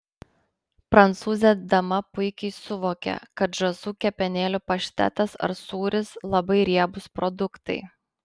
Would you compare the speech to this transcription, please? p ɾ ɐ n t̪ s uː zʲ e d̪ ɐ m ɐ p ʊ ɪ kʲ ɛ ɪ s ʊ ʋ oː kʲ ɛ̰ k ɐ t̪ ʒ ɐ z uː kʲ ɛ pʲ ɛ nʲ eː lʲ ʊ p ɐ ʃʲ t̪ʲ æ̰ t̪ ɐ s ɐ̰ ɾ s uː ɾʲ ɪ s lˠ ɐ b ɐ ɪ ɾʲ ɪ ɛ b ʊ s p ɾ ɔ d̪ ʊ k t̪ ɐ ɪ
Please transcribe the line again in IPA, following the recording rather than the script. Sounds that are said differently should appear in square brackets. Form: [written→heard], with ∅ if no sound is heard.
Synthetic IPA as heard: p ɾ ɐ n t̪ s uː zʲ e d̪ ɐ m ɐ p ʊ ɪ kʲ ɛ ɪ s ʊ ʋ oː kʲ ɛ̰ k ɐ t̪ ʒ ɐ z uː kʲ ɛ pʲ ɛ nʲ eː lʲ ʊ p ɐ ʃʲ t̪ʲ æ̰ t̪ ɐ s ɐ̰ ɾ s uː ɾʲ ɪ s lˠ ɐ b ɐ ɪ ɾʲ [ɪ→i] ɛ b ʊ s p ɾ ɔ d̪ ʊ k t̪ ɐ ɪ